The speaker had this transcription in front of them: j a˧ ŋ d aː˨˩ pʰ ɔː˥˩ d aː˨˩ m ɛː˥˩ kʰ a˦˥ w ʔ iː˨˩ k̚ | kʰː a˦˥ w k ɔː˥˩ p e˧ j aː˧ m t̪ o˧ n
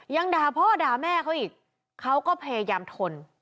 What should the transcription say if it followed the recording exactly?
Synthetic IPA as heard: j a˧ ŋ d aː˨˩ pʰ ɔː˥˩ d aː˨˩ m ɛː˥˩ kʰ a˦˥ w ʔ iː˨˩ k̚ | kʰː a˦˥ w k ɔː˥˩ pʰ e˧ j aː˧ m t̪ʰ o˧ n